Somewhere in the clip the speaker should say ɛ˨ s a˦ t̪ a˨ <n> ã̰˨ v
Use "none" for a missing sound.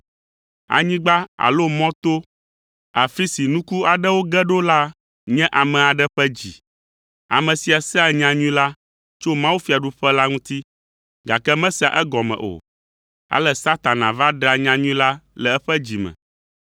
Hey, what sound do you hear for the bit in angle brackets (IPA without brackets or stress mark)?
n